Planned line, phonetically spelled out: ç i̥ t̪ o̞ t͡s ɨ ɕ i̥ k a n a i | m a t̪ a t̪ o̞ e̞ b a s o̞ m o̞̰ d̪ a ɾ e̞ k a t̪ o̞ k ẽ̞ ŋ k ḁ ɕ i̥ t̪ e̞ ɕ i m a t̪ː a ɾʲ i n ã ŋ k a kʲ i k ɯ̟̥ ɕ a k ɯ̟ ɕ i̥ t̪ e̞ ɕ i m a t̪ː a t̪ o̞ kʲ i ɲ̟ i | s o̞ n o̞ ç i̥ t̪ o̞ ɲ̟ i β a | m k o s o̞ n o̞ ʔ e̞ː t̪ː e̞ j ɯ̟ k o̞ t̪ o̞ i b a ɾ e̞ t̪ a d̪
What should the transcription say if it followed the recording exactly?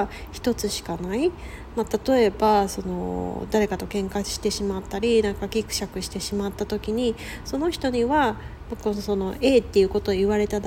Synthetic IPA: ç i̥ t̪ o̞ t͡s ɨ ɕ i̥ k a n a i | m a t̪ a t̪ o̞ e̞ b a s o̞ n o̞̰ d̪ a ɾ e̞ k a t̪ o̞ k ẽ̞ ŋ k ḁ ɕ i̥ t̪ e̞ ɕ i m a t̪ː a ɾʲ i n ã ŋ k a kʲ i k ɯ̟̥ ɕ a k ɯ̟ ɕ i̥ t̪ e̞ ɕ i m a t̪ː a t̪ o̞ kʲ i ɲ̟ i | s o̞ n o̞ ç i̥ t̪ o̞ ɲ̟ i β a | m k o s o̞ n o̞ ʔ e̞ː t̪ː e̞ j ɯ̟ k o̞ t̪ o̞ i β a ɾ e̞ t̪ a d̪